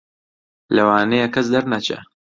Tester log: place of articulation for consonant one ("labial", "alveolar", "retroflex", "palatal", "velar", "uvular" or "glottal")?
alveolar